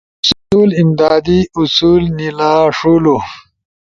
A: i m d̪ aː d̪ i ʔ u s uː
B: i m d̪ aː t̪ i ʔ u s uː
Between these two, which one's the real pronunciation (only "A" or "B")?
A